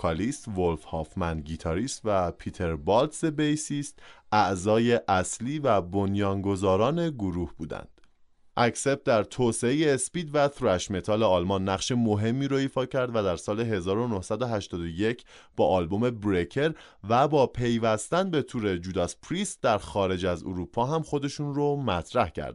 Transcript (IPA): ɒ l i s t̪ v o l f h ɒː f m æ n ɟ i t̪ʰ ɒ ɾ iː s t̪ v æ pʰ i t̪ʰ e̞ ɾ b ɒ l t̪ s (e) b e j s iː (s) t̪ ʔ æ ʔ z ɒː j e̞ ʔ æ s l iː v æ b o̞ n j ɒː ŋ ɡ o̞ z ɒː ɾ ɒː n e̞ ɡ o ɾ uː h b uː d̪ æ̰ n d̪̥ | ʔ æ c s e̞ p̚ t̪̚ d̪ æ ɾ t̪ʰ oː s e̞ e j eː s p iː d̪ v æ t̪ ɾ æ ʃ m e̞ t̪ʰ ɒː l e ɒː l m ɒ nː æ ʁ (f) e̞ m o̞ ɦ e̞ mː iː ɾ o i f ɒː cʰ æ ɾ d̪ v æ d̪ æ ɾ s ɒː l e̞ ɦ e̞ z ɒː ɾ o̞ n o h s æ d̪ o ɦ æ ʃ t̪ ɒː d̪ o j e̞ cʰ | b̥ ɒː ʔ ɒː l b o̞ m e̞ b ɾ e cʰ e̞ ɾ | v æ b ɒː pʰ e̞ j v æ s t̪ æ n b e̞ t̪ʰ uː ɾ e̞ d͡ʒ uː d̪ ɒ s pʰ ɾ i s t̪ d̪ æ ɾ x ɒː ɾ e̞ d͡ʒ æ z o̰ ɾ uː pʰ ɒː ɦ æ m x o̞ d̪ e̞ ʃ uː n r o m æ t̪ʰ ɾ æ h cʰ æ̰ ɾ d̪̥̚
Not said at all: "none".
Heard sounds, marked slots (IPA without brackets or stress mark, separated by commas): e, s, ʃ